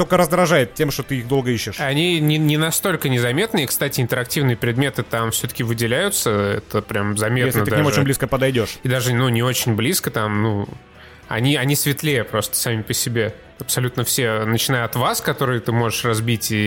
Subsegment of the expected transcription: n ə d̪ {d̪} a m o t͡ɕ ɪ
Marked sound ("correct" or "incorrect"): correct